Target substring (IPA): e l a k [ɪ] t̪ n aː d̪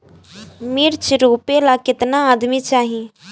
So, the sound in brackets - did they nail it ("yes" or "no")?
yes